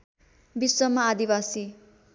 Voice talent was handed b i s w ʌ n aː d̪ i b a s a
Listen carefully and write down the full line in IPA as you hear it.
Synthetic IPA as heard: b i s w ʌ m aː d̪ i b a s i